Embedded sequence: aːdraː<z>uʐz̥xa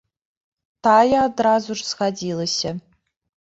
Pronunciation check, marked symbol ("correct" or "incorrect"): correct